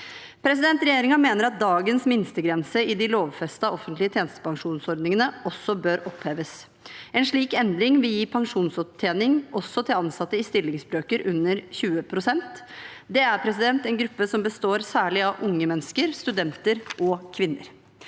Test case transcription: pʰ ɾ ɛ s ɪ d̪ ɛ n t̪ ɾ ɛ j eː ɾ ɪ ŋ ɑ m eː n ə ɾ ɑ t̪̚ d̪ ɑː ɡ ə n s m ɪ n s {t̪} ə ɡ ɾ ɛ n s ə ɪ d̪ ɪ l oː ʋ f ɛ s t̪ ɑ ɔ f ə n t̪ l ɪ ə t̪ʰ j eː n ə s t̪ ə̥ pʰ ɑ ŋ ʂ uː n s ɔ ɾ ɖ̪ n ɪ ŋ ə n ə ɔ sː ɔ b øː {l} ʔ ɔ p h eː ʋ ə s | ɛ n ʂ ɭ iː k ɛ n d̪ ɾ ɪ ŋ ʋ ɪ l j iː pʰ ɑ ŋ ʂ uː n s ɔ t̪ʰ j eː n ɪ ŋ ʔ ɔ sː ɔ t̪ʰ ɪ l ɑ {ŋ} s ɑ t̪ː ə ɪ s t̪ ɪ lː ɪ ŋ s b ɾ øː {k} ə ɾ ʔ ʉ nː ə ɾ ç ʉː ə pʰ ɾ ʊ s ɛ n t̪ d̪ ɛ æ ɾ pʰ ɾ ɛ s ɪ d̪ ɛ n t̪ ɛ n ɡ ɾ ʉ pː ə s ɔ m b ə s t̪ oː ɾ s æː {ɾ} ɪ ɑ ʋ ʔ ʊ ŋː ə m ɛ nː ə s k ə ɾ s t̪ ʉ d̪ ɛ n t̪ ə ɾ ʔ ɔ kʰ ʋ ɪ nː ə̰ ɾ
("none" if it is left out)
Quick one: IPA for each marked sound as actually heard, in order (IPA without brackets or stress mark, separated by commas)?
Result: t̪, ɾ, n, k, ɭ